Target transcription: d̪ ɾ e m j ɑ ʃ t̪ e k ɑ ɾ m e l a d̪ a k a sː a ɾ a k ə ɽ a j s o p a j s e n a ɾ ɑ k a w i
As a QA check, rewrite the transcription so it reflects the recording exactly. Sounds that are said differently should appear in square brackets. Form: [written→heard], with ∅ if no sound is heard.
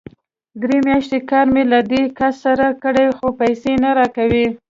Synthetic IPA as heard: d̪ ɾ e m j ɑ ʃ t̪ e k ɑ ɾ m e l a d̪ [a→e] k a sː a ɾ a k ə ɽ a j [s→x] o p a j s e n a ɾ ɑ k a w i